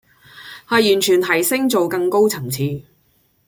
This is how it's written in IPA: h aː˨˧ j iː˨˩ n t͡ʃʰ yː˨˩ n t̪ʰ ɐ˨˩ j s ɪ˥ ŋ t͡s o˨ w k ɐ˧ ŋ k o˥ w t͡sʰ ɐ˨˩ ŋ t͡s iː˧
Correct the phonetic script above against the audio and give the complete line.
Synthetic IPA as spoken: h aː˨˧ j yː˨˩ n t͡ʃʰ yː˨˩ n t̪ʰ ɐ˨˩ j s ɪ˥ ŋ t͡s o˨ w k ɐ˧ ŋ k o˥ w t͡sʰ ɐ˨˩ ŋ t͡sʰ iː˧